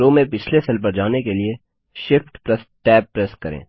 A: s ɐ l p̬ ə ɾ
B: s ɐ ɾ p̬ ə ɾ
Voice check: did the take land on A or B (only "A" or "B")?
A